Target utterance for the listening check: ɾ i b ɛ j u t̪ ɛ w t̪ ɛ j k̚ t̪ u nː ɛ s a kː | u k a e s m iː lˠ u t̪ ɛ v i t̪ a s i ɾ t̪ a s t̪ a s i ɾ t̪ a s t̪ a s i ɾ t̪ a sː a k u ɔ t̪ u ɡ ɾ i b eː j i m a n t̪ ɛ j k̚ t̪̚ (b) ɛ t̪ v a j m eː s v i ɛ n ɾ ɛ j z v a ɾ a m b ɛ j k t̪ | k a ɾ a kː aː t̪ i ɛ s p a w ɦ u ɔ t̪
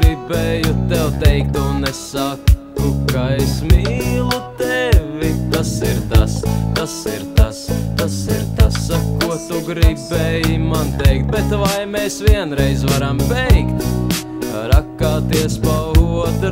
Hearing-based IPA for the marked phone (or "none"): b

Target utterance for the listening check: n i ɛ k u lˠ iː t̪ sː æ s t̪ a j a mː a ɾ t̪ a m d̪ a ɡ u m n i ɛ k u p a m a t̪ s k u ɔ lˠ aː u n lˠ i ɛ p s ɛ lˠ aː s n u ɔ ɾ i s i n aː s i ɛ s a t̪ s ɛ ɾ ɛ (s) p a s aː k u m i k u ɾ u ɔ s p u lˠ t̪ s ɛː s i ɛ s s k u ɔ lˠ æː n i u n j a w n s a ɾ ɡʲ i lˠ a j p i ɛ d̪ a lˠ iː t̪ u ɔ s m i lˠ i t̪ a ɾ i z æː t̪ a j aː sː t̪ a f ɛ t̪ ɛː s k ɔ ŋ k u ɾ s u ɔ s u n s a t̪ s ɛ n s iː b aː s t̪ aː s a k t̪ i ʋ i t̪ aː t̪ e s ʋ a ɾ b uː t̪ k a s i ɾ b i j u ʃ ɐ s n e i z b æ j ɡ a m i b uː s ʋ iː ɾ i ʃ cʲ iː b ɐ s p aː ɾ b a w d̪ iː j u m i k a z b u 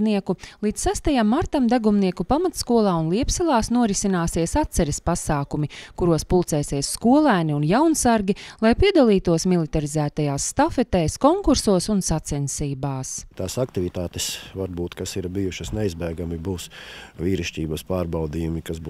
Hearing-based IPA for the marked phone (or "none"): s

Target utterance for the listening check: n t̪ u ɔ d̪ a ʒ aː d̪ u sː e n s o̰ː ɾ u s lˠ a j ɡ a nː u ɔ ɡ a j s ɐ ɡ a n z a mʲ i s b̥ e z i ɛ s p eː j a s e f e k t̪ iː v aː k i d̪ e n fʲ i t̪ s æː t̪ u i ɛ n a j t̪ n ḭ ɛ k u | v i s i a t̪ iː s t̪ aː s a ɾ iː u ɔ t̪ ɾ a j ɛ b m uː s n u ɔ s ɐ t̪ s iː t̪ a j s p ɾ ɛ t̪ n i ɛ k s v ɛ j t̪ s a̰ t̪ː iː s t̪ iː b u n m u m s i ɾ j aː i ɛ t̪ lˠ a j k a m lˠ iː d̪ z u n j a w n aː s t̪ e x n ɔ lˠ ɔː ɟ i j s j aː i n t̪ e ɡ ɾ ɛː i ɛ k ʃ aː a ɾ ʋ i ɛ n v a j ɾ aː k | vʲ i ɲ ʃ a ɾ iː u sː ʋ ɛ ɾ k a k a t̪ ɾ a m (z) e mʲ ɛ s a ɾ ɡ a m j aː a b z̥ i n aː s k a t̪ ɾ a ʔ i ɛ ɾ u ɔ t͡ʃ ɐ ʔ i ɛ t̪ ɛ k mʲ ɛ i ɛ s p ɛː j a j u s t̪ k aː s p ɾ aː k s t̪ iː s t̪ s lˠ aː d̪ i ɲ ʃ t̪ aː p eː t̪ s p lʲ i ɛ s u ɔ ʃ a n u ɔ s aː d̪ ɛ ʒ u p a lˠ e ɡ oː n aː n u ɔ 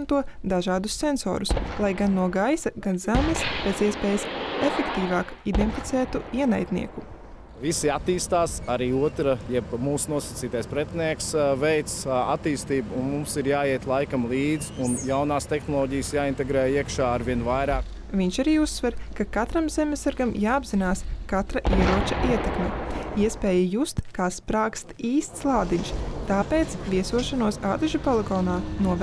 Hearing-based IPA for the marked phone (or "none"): z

